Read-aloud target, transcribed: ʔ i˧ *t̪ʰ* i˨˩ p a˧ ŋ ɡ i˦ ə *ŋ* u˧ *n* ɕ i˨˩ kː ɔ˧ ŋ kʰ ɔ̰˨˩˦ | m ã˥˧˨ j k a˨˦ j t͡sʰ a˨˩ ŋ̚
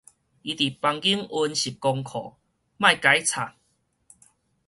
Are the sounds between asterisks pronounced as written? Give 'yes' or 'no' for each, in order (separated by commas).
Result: no, yes, yes